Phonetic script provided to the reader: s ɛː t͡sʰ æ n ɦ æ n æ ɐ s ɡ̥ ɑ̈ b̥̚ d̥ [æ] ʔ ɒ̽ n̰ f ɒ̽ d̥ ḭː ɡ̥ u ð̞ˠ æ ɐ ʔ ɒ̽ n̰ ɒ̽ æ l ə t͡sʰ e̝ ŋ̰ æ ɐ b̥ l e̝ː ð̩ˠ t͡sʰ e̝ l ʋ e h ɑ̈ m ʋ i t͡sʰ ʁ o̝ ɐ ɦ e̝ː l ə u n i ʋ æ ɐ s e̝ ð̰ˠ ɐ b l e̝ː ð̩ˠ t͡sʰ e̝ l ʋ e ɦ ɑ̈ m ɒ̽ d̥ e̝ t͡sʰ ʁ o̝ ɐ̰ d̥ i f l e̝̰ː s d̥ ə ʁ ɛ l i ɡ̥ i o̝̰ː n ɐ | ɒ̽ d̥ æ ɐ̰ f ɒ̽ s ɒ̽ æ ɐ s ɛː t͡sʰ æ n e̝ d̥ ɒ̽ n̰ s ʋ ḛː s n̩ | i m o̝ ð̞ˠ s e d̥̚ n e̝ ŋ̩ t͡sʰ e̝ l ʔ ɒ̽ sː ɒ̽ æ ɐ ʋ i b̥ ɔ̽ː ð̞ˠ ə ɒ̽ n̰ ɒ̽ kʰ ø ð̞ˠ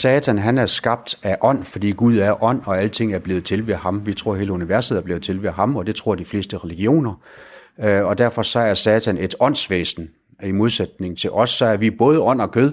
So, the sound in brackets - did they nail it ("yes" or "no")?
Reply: yes